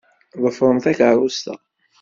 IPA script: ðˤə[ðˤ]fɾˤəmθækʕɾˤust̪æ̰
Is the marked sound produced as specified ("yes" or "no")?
no